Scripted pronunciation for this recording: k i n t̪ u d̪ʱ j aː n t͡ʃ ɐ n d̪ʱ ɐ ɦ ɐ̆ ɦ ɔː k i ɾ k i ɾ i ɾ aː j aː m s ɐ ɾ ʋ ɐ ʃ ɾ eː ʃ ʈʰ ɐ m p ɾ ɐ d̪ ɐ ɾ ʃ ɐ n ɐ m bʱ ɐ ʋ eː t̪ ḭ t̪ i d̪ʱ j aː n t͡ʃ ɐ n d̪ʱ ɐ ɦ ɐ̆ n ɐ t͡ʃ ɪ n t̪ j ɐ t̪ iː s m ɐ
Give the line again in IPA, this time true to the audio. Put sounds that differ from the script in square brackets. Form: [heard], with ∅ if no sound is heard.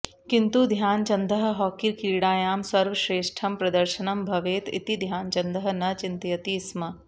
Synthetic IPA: k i n t̪ u d̪ʱ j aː n t͡ʃ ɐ n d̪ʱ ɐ ɦ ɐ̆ ɦ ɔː k i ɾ k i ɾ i [ɽ] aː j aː m s ɐ ɾ ʋ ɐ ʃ ɾ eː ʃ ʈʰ ɐ m p ɾ ɐ d̪ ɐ ɾ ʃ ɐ n ɐ m bʱ ɐ ʋ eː t̪ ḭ t̪ i d̪ʱ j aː n t͡ʃ ɐ n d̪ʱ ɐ ɦ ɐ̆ n ɐ t͡ʃ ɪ n t̪ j ɐ t̪ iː s m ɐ

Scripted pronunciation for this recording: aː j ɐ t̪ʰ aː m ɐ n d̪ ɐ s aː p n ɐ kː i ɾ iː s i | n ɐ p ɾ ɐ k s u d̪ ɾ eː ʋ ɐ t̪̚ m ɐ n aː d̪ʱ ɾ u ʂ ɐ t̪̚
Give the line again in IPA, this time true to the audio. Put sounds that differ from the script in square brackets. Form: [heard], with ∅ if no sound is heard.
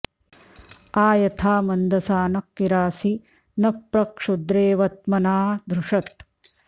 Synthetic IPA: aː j ɐ t̪ʰ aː m ɐ n d̪ ɐ s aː [∅] n ɐ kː i ɾ [aː] s i | n ɐ p ɾ ɐ k [ʂ] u d̪ ɾ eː ʋ ɐ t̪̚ m ɐ n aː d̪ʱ ɾ u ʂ ɐ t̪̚

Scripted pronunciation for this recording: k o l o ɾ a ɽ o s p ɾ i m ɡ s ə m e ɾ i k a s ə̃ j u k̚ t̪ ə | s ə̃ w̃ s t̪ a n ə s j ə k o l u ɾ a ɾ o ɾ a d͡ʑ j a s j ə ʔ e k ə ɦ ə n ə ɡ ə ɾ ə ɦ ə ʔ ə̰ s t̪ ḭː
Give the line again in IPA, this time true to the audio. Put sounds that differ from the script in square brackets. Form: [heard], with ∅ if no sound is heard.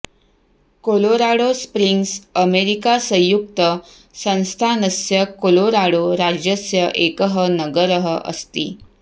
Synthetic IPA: k o l o ɾ a ɽ o s p ɾ i [ŋ] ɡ s ə m e ɾ i k a s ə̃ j u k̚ t̪ ə | s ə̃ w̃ s [t̪ʰ] a n ə s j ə k o l [o] ɾ a [ɽ] o ɾ a d͡ʑ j [ə] s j ə ʔ e k ə ɦ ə n ə ɡ ə ɾ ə ɦ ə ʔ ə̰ s t̪ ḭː

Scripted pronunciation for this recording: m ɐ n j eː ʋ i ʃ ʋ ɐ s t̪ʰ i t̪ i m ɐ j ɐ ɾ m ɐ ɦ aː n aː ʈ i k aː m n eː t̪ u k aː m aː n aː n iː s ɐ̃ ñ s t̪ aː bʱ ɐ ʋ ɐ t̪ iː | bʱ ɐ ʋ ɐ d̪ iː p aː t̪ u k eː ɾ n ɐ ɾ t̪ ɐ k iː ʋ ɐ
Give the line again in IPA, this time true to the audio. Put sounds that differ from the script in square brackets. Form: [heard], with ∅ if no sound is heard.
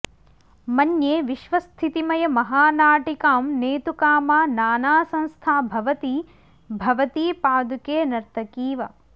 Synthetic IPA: m ɐ n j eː ʋ i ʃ ʋ ɐ s t̪ʰ i t̪ i m ɐ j ɐ [∅] m ɐ ɦ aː n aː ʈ i k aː m n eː t̪ u k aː m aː n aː n [aː] s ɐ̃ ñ s [t̪ʰ] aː bʱ ɐ ʋ ɐ t̪ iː | bʱ ɐ ʋ ɐ [t̪] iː p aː [d̪] u k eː [∅] n ɐ ɾ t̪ ɐ k iː ʋ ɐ

